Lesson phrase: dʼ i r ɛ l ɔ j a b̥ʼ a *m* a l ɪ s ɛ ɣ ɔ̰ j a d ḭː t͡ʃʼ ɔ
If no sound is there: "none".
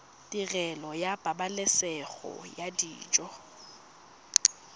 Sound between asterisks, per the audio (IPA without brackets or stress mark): b